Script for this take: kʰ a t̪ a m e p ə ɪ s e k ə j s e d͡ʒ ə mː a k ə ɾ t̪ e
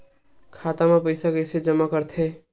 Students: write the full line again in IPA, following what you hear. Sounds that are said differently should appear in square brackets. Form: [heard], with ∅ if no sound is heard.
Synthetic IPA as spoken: kʰ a t̪ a m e p ə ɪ s [a] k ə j s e d͡ʒ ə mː a k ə ɾ [t̪ʰ] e